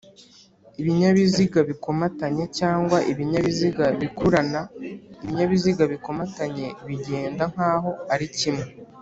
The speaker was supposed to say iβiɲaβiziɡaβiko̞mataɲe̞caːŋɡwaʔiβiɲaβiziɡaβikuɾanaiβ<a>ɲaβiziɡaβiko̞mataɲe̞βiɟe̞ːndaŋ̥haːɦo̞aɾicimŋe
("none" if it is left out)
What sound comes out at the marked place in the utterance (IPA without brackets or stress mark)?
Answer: i